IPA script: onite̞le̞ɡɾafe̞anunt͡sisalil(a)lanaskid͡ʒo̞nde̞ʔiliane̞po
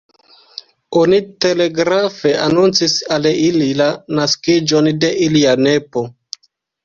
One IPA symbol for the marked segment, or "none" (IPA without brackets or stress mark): i